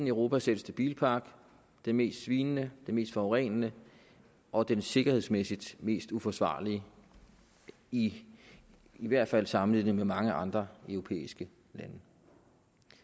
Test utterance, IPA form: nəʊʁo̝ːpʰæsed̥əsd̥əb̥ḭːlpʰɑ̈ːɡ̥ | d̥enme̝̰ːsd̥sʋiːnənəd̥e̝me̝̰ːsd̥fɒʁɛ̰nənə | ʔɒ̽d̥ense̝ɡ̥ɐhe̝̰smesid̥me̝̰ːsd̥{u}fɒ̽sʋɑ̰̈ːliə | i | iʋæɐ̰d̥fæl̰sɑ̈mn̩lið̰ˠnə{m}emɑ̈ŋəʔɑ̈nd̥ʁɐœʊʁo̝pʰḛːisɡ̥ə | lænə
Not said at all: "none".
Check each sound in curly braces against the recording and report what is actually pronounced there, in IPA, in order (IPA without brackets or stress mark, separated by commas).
u, m